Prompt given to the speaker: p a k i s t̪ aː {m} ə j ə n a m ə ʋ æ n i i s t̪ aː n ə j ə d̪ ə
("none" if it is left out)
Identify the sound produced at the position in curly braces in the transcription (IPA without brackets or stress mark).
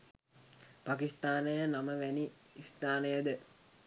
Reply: n